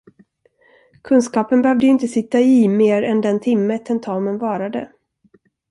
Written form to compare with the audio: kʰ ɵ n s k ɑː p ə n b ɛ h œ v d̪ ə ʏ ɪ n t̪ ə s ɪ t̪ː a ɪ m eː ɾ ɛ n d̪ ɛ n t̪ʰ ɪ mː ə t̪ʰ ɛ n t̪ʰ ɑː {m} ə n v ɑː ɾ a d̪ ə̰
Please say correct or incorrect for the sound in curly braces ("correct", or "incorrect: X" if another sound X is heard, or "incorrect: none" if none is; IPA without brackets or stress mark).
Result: correct